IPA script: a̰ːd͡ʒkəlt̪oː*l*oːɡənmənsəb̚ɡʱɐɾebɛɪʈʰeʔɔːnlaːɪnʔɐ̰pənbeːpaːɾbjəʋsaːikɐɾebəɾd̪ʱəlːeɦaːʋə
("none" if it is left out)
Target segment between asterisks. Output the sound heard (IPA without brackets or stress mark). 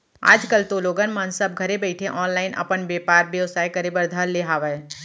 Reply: l